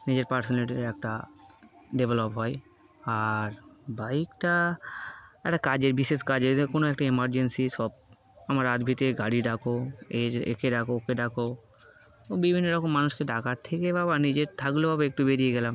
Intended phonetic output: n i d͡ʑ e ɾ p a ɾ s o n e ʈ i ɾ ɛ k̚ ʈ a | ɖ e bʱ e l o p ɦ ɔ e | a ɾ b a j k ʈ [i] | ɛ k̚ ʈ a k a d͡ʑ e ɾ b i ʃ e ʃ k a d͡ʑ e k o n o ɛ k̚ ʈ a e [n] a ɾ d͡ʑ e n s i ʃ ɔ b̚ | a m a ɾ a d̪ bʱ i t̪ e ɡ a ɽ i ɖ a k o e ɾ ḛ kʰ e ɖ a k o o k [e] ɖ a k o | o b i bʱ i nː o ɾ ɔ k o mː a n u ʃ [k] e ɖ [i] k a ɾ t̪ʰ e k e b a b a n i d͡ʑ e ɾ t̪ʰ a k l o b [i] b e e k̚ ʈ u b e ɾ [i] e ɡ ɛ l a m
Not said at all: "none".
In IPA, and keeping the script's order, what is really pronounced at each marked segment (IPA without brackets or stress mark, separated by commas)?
a, m, e, k, a, a, i